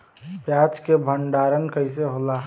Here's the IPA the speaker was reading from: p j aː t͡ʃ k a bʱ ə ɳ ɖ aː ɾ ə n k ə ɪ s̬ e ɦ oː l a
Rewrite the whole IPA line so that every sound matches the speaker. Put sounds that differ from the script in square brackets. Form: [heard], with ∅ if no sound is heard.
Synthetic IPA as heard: p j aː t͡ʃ k [e] bʱ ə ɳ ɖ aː ɾ ə n k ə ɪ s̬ e ɦ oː l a